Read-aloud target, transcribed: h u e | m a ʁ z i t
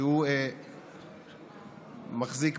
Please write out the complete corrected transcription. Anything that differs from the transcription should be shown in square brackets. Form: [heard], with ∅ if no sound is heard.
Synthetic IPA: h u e | m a [χ] z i [k]